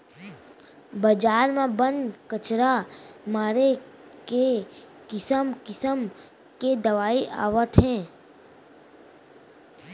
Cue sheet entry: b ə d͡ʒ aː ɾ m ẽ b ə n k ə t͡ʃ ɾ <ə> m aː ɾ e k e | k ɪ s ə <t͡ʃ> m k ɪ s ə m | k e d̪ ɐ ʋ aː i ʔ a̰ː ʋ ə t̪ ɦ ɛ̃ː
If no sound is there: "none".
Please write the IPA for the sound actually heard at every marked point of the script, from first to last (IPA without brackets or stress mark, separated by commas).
a, none